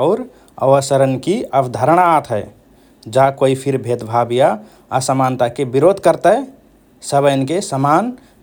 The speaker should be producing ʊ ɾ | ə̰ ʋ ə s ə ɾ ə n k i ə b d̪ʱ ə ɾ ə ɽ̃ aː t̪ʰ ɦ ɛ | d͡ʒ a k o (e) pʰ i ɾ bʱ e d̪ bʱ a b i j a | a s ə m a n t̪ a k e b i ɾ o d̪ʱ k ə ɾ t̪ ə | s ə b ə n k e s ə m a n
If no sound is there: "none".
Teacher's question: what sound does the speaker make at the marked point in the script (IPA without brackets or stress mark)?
i